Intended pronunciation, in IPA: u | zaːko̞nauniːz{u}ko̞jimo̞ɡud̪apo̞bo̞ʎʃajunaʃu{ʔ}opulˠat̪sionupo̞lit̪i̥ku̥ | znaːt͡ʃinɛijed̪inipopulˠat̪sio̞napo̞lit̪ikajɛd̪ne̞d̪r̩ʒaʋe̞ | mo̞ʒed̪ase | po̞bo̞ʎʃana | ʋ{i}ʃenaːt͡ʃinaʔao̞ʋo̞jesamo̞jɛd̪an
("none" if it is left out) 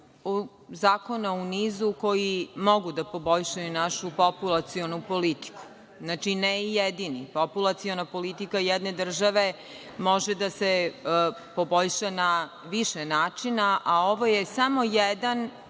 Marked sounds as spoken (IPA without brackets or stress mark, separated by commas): u, p, i